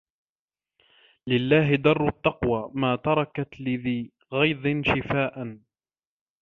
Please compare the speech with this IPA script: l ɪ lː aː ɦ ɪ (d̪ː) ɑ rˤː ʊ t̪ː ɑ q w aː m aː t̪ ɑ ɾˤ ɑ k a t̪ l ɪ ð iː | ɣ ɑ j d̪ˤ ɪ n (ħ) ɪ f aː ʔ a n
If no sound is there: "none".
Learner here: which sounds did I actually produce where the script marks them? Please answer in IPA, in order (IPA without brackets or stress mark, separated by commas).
d̪, ʃ